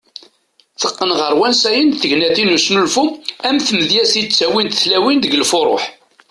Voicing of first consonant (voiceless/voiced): voiceless